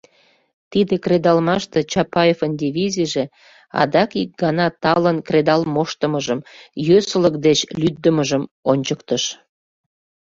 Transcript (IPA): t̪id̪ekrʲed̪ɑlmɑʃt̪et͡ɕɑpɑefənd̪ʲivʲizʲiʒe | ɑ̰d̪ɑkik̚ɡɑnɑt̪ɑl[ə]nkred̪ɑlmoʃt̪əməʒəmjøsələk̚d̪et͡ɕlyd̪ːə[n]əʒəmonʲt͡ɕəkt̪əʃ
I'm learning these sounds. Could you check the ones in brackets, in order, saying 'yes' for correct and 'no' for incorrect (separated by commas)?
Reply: yes, no